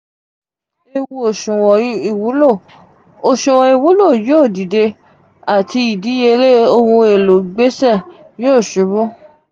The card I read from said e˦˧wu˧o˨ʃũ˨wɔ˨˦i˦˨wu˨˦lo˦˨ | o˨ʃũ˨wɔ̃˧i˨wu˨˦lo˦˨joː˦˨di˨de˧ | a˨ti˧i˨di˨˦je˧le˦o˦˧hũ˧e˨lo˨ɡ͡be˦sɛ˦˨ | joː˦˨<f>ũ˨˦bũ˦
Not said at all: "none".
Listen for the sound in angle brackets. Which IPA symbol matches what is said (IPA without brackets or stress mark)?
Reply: ʃ